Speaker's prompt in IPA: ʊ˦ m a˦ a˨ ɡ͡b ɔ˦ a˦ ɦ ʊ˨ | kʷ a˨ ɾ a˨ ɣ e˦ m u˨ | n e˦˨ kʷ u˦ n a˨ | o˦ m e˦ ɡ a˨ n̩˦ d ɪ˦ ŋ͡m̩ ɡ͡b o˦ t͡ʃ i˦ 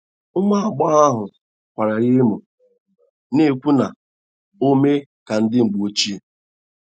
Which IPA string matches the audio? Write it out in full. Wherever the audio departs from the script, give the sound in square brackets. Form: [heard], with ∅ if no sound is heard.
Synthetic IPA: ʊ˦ m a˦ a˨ ɡ͡b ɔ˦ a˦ ɦ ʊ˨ | kʷ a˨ ɾ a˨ ɣ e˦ m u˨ | n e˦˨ kʷ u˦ n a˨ | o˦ m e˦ [k] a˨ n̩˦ d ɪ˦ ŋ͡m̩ ɡ͡b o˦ t͡ʃ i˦